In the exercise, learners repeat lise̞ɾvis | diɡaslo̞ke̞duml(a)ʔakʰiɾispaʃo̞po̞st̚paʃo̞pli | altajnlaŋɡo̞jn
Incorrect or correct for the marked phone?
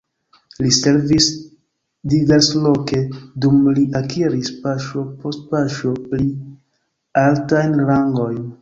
incorrect: i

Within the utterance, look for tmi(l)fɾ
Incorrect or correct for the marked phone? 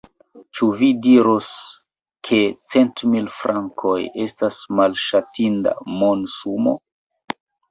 correct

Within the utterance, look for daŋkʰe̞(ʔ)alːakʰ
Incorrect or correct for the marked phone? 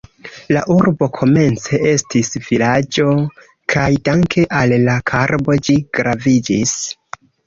correct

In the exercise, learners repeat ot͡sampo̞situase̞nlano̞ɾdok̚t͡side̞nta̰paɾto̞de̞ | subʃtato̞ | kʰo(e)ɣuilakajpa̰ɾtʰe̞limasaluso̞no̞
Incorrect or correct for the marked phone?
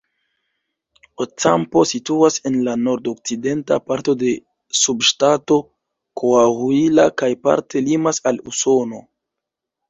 incorrect: a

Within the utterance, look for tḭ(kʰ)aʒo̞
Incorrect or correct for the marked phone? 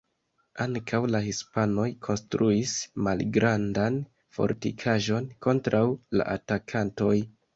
correct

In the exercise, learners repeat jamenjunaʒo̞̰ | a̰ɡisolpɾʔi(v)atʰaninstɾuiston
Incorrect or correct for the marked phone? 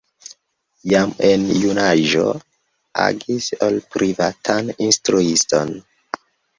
correct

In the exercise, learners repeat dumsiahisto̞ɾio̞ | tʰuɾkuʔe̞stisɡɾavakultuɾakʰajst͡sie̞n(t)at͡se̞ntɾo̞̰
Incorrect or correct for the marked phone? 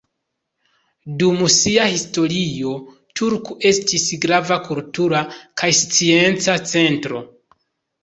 incorrect: t͡s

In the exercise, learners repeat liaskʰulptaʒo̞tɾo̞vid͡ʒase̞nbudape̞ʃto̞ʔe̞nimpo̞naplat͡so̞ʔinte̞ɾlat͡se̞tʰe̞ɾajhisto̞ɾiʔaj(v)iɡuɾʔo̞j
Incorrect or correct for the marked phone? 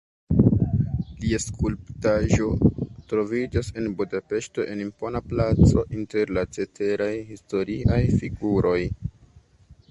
incorrect: f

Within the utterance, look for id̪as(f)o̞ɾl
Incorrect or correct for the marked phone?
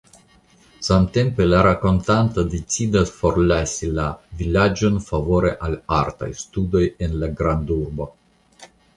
correct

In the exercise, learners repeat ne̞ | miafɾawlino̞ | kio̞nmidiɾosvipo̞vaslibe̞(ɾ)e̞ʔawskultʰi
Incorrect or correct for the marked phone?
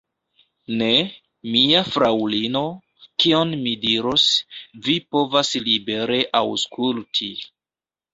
correct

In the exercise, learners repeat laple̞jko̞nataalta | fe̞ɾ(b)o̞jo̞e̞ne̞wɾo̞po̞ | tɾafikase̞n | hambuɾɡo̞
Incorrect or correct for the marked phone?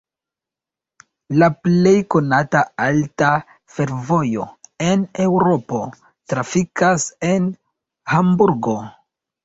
incorrect: v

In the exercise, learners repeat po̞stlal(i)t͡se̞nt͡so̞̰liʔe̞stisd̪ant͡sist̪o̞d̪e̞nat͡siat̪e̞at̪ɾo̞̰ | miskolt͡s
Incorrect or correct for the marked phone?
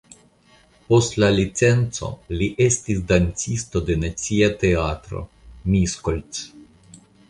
correct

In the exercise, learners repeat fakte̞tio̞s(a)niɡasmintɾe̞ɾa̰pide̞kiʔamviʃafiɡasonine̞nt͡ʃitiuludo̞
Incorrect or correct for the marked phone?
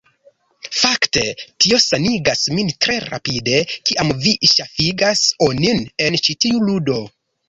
correct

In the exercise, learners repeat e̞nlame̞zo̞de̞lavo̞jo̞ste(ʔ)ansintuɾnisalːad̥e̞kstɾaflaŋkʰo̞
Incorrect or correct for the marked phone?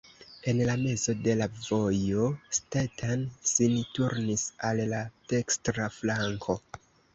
incorrect: t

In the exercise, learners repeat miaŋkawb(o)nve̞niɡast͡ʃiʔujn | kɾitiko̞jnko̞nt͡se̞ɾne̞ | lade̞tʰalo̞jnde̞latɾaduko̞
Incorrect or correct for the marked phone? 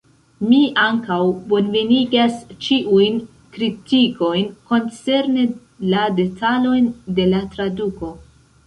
correct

